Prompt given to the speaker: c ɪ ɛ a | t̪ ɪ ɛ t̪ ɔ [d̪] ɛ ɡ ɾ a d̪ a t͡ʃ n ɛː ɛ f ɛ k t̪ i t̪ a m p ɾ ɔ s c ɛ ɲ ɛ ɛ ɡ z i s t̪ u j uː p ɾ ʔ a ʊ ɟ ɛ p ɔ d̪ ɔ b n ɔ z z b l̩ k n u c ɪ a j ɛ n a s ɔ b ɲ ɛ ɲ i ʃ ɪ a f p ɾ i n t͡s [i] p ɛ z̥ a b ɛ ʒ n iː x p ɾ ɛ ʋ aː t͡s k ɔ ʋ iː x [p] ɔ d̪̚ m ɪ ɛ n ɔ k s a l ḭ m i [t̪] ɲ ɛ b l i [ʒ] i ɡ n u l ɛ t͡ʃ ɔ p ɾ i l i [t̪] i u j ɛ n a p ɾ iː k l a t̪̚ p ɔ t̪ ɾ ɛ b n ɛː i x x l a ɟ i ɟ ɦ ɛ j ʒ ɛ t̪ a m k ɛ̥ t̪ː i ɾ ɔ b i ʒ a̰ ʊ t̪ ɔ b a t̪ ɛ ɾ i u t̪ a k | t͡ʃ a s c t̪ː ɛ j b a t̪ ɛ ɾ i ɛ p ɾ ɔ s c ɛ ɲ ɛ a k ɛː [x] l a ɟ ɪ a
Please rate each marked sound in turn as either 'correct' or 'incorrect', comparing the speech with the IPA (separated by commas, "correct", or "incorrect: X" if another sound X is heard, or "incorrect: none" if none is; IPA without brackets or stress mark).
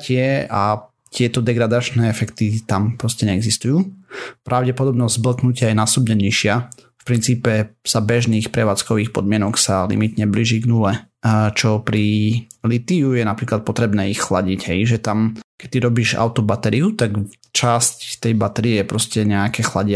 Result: correct, incorrect: iː, correct, correct, correct, correct, correct